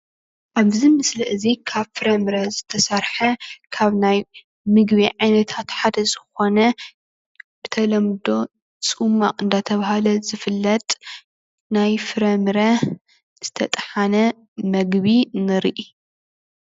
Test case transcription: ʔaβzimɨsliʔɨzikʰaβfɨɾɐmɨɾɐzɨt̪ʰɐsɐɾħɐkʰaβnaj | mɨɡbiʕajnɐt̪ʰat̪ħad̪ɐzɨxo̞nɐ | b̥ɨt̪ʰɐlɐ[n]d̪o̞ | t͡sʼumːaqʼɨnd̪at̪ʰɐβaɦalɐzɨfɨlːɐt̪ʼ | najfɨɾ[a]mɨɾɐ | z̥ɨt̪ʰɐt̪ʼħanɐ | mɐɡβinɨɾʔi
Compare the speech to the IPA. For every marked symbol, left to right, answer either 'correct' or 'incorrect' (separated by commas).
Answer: incorrect, incorrect